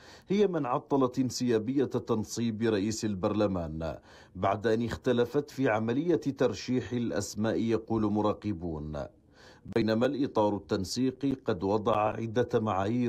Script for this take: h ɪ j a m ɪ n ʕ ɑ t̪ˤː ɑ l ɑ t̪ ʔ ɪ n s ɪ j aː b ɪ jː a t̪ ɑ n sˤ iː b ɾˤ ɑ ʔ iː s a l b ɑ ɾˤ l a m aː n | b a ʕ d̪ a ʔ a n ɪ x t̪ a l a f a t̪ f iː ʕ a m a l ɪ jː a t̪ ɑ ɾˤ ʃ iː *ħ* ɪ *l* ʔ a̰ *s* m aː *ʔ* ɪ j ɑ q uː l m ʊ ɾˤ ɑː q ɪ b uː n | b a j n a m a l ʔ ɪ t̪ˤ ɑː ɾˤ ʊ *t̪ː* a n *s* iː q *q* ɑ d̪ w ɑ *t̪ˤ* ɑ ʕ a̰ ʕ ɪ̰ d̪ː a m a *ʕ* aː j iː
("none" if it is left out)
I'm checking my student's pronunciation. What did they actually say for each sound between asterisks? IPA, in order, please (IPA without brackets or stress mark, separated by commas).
ħ, l, s, ʔ, t̪ː, s, q, d̪ˤ, ʕ